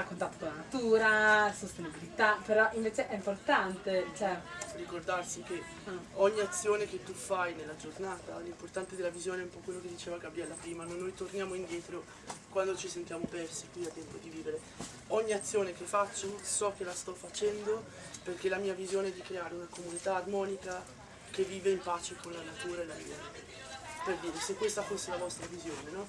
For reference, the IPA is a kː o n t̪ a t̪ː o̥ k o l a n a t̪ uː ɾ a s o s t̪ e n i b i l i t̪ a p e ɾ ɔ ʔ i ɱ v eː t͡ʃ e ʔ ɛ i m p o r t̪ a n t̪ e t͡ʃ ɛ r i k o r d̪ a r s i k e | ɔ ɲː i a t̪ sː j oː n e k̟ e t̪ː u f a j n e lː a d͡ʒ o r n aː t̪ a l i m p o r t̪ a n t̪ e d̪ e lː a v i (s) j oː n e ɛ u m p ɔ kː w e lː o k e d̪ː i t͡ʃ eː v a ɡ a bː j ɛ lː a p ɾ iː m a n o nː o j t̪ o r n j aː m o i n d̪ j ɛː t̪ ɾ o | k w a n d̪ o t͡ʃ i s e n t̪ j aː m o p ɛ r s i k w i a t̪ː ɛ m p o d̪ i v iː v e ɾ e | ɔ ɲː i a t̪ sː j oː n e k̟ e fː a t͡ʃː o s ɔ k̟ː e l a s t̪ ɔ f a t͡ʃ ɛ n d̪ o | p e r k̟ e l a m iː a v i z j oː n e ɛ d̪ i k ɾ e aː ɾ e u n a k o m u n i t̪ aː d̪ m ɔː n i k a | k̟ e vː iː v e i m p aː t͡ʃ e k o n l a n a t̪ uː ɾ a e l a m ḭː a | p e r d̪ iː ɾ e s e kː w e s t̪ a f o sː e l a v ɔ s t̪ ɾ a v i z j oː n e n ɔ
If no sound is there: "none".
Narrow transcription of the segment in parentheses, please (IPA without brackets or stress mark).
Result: z